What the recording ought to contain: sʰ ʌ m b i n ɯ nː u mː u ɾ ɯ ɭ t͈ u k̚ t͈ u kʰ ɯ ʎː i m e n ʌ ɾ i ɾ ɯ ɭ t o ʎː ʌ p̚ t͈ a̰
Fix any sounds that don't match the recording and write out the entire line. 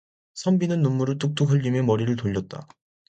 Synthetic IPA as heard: sʰ ʌ m b i n ɯ nː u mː u ɾ ɯ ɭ t͈ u k̚ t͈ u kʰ ɯ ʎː i m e m ʌ ɾ i ɾ ɯ ɭ t o ʎː ʌ t̚ t͈ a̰